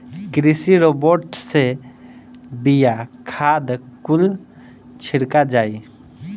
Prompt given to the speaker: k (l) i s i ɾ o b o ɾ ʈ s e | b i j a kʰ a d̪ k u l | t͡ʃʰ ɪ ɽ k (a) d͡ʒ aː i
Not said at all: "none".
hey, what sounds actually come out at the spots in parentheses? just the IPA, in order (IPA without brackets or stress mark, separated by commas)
ɾ, a